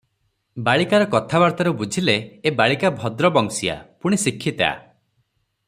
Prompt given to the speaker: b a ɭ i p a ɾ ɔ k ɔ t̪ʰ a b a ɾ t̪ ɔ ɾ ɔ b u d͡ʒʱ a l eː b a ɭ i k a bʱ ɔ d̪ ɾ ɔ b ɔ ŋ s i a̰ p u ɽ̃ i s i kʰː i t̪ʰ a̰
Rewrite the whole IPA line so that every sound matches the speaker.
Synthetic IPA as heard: b a ɭ i k a ɾ ɔ k ɔ t̪ʰ a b a ɾ t̪ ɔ ɾ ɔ b u d͡ʒʱ i l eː b a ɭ i k a bʱ ɔ d̪ ɾ ɔ b ɔ ŋ s i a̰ p u ɽ̃ i s i kʰː i t̪ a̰